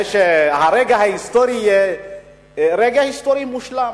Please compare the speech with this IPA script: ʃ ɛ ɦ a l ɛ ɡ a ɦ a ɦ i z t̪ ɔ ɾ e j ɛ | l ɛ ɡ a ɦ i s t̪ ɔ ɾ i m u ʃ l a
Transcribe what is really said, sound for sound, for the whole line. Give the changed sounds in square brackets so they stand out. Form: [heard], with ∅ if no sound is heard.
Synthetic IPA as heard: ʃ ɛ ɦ a [ɾ] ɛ ɡ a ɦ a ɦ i [s] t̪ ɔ ɾ [i] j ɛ | [ɾ] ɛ ɡ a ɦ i s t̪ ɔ ɾ i m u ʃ l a